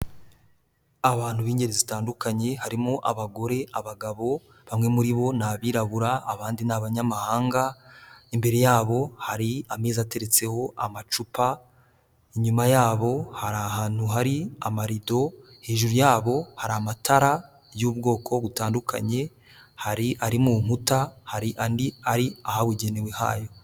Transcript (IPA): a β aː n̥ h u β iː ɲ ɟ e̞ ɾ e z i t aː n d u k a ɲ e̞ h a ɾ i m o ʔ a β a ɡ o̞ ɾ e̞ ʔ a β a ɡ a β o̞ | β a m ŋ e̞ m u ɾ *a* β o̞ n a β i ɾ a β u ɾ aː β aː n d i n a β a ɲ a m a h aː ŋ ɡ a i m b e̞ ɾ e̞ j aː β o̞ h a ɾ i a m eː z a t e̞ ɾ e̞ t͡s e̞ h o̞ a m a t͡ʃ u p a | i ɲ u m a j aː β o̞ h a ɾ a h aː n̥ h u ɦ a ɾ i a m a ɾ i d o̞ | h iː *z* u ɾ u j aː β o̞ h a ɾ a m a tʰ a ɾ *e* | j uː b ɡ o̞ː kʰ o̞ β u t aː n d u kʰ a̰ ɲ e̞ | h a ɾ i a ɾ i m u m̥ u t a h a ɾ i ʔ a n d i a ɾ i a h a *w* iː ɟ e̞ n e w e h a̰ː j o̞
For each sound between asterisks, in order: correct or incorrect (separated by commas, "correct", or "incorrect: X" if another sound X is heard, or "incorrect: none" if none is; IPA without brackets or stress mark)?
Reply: incorrect: i, incorrect: ʒ, incorrect: a, correct